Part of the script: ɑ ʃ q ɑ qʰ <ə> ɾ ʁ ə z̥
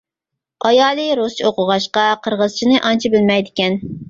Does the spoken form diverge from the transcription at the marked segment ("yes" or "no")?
no